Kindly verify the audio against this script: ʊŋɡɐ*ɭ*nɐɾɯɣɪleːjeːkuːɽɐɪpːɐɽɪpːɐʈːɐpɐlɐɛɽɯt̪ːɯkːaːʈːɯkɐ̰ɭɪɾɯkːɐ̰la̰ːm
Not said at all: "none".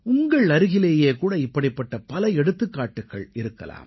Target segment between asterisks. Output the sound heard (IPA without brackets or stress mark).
ɭ